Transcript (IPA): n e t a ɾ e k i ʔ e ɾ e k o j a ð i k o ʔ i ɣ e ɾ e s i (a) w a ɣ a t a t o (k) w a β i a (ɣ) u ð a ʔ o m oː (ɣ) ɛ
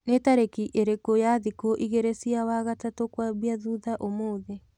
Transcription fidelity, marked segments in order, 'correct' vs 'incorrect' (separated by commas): correct, correct, incorrect, incorrect